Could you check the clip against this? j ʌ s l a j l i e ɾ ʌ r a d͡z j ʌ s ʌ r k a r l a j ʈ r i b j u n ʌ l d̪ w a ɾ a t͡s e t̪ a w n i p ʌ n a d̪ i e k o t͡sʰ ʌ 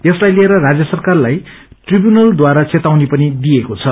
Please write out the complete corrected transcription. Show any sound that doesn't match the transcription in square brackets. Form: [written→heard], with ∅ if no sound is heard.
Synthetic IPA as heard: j ʌ s l a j l i e ɾ ʌ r a d͡z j ʌ s ʌ r k a r l a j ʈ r i b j u n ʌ l d̪ w a ɾ a t͡s e t̪ a w n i p ʌ n [a→i] d̪ i e k o t͡sʰ ʌ